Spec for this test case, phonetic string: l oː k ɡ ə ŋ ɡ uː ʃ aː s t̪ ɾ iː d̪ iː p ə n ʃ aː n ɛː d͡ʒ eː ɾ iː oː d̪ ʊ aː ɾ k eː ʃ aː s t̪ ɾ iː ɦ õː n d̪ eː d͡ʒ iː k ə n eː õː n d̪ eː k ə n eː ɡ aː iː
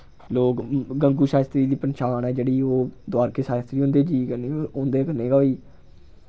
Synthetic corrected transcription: l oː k ɡ ə ŋ ɡ uː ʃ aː s t̪ ɾ iː d̪ iː p ə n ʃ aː n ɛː d͡ʒ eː ɽ iː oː d̪ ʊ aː ɾ k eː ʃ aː s t̪ ɾ iː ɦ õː n d̪ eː d͡ʒ iː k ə n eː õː n d̪ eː k ə n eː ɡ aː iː